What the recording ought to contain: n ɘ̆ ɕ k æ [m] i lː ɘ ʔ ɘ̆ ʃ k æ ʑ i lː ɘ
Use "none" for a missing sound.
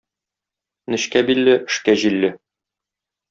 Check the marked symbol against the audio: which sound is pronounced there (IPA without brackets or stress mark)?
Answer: b